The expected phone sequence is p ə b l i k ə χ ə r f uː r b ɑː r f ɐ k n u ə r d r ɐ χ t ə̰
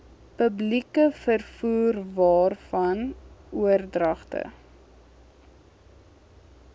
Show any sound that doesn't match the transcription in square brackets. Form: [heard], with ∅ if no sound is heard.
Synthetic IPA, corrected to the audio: p ə b l i k ə [f] ə r f uː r [v] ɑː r f ɐ [∅] n u ə r d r ɐ χ t ə̰